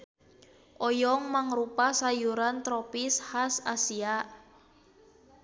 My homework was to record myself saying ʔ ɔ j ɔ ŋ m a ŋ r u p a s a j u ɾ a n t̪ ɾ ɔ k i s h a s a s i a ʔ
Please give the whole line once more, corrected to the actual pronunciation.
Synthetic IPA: ʔ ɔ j ɔ ŋ m a ŋ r u p a s a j u ɾ a n t̪ ɾ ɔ p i s h a s a s i a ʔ